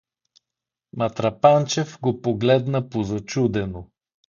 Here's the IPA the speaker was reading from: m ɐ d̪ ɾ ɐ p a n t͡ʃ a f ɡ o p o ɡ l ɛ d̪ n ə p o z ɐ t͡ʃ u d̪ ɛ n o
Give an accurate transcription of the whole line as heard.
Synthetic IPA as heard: m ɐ t̪ ɾ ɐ p a n t͡ʃ ɛ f ɡ o p o ɡ l ɛ d̪ n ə p o z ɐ t͡ʃ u d̪ ɛ n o